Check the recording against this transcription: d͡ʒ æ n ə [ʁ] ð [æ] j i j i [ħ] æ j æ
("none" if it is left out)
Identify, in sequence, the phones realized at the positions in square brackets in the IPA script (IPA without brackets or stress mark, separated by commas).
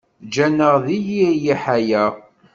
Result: ʁ, i, ħ